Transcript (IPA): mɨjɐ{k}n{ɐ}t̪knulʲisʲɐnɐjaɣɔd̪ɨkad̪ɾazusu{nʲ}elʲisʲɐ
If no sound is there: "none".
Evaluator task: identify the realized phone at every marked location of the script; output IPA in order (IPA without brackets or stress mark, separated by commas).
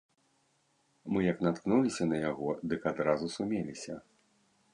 k, a, mʲ